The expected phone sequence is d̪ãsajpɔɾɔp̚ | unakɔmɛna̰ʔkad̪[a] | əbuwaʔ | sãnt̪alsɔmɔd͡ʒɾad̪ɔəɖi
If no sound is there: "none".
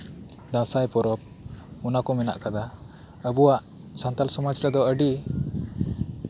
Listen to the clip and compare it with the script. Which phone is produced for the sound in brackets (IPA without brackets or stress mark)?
a